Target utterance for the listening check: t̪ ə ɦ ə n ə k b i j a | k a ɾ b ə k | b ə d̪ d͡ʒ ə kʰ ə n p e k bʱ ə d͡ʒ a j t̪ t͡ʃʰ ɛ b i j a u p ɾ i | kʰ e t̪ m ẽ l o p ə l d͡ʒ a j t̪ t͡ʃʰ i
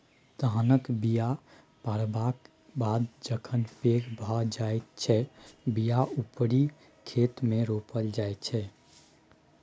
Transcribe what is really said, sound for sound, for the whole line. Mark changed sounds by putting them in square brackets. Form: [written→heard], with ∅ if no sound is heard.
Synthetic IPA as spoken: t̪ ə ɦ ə n ə k b i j a | [k→p] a ɾ b [ə→a] k | b [ə→a] d̪ d͡ʒ ə kʰ ə n p e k bʱ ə d͡ʒ a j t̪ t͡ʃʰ ɛ b i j a u p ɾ i | kʰ e t̪ m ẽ [l→ɾ] o p ə l d͡ʒ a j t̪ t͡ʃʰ [i→ɛ]